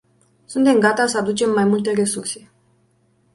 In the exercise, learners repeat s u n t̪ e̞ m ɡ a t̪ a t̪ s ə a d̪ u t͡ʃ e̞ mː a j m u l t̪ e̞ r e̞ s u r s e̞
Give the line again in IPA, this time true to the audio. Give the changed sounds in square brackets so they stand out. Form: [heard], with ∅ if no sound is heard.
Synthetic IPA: s u n t̪ e̞ m ɡ a t̪ a [∅] s ə a d̪ u t͡ʃ e̞ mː a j m u l t̪ e̞ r e̞ s u r s e̞